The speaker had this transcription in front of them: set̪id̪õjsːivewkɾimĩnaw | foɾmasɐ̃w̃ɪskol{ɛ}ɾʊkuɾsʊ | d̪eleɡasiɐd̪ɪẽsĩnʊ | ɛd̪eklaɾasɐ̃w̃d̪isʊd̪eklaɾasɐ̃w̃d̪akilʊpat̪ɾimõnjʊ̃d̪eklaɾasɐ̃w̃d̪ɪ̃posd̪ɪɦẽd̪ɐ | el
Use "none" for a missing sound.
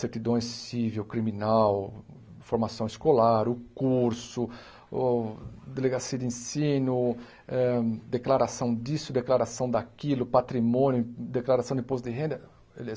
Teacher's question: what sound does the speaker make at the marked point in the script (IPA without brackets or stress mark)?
a